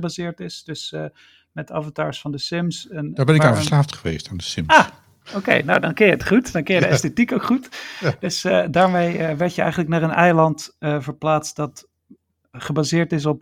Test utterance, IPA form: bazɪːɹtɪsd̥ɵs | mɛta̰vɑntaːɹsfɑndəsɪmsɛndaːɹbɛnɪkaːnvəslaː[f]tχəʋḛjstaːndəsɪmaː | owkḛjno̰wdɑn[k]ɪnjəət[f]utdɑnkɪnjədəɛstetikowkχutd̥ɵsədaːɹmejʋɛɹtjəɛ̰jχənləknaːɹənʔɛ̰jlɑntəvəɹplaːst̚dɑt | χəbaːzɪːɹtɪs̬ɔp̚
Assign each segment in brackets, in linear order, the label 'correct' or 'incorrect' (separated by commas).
correct, correct, incorrect